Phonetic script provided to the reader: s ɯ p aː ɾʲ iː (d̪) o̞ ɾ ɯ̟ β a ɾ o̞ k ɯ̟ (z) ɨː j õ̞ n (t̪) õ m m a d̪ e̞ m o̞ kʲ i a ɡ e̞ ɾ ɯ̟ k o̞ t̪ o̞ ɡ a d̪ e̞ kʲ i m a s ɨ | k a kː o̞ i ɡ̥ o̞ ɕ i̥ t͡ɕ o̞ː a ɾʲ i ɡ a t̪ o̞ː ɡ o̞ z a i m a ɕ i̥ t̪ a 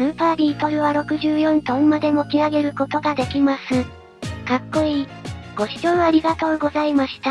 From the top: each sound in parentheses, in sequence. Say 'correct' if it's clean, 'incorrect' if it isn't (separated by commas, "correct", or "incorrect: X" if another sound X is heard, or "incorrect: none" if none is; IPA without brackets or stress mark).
incorrect: t̪, incorrect: ʑ, correct